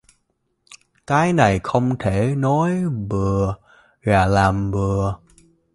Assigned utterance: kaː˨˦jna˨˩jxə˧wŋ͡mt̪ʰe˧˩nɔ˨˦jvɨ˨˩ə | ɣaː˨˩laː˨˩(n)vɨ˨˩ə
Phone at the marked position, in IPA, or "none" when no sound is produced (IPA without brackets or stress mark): m